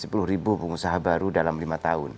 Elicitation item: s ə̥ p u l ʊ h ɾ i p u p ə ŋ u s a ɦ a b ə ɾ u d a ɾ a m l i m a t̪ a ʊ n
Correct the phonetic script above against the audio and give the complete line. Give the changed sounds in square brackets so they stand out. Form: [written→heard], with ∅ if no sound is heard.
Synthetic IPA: s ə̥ p u l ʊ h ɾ i [p→b] u p ə ŋ u s a ɦ a b [ə→a] ɾ u d a [ɾ→l] a m l i m a t̪ a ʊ n